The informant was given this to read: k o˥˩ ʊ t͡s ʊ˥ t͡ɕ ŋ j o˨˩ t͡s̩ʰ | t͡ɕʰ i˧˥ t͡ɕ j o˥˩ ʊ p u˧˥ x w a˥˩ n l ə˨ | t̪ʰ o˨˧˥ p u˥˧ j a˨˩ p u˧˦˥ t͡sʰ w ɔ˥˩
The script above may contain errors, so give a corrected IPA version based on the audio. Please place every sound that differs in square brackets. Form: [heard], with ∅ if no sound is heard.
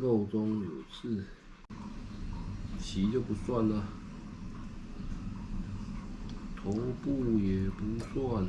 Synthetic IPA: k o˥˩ ʊ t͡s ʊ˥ [∅] ŋ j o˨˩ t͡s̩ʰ | t͡ɕʰ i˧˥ t͡ɕ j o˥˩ ʊ p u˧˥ [s] w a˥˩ n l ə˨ | t̪ʰ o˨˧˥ p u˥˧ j [ɛ˨˩] p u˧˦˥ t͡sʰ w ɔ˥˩